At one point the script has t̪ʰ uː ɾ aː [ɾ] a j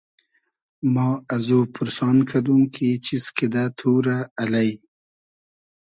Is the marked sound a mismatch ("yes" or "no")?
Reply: yes